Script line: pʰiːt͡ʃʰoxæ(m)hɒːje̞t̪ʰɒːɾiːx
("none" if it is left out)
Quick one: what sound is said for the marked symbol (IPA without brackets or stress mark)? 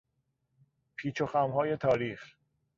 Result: m